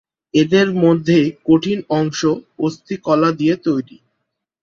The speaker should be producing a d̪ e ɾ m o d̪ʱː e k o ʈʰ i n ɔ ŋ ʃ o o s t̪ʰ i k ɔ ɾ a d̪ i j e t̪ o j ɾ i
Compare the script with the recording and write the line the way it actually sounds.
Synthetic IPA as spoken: e d̪ e ɾ m o d̪ʱː e k o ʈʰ i n ɔ ŋ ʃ o o s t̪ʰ i k ɔ l a d̪ i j e t̪ o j ɾ i